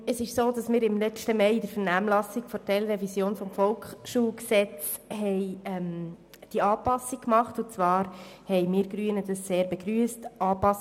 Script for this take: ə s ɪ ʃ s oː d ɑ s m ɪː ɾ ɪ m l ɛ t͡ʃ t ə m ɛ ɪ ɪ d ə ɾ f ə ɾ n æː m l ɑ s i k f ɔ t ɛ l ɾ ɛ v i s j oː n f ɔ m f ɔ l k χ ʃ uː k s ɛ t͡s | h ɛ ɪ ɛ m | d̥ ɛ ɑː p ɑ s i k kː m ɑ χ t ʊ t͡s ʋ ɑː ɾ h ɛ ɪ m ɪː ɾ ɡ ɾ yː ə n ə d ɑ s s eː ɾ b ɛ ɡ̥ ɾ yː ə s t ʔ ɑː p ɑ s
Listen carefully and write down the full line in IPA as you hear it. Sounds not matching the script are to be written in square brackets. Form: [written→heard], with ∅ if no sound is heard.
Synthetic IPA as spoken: ə s ɪ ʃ s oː d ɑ s m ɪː ɾ ɪ m l ɛ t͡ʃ t ə m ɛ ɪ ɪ d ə ɾ f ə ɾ n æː m l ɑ s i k f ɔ t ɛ l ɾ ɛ v i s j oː n f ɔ m f ɔ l k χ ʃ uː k s ɛ t͡s | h ɛ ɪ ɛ m | d̥ [ɛ→i] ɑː p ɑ s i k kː m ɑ χ t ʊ t͡s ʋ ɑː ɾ h ɛ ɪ m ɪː ɾ ɡ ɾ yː ə n ə d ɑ s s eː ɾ b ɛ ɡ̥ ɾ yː ə s t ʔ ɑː p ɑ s